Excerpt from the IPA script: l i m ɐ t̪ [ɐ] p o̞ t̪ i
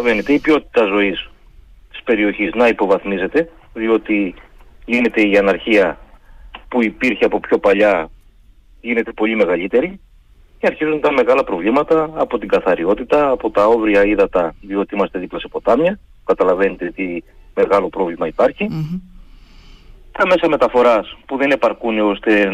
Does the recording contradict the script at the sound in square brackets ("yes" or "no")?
yes